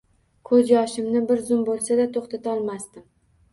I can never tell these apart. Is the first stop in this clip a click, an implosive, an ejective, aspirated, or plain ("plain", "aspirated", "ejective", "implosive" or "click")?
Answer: aspirated